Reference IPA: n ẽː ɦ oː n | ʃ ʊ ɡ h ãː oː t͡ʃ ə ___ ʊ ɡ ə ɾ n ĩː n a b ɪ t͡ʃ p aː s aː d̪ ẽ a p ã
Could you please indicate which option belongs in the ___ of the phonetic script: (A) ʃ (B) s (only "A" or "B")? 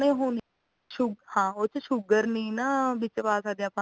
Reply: A